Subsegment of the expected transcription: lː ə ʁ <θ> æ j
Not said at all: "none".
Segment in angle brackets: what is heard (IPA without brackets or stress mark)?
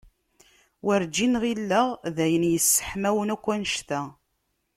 ð